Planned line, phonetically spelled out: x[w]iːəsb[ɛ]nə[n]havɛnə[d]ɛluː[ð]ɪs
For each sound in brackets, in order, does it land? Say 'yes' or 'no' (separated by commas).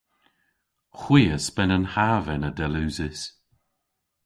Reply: yes, yes, yes, yes, no